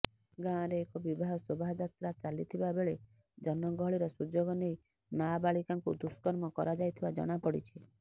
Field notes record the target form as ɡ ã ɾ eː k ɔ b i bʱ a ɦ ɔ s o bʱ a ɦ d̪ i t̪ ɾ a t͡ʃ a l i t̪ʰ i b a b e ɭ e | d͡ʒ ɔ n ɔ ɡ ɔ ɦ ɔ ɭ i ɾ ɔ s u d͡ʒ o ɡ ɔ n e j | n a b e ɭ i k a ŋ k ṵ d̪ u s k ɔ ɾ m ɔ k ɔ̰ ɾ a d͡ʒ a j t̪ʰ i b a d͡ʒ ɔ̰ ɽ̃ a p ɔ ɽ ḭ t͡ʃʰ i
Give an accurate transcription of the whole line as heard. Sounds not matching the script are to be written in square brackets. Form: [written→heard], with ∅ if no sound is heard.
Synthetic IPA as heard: ɡ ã ɾ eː k ɔ b i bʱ a ɦ ɔ s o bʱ a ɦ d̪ [i→a] t̪ ɾ a t͡ʃ a l i t̪ʰ i b a b e ɭ e | d͡ʒ ɔ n ɔ ɡ ɔ ɦ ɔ ɭ i ɾ ɔ s u d͡ʒ o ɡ ɔ n e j | n a b [e→a] ɭ i k a ŋ k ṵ d̪ u s k ɔ ɾ m ɔ k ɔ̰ ɾ a d͡ʒ a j t̪ʰ i b a d͡ʒ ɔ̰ ɽ̃ a p ɔ ɽ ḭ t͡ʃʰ i